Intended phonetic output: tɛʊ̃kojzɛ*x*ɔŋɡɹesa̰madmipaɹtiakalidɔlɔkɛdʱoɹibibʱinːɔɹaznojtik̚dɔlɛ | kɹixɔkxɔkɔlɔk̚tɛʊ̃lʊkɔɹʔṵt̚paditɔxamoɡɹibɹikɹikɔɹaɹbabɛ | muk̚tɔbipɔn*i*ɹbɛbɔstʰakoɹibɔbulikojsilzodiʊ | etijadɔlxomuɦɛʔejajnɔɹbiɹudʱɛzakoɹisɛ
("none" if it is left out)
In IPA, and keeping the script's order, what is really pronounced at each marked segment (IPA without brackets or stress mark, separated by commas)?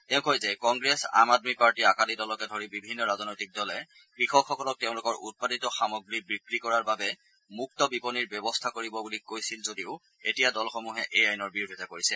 k, i